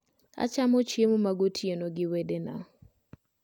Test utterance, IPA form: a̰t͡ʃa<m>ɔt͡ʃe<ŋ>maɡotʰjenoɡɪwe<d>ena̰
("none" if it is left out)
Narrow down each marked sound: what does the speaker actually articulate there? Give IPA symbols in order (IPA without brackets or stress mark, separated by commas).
m, m, d